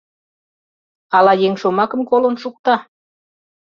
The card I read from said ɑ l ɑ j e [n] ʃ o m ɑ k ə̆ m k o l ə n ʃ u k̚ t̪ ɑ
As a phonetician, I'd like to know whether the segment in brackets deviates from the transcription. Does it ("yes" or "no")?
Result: yes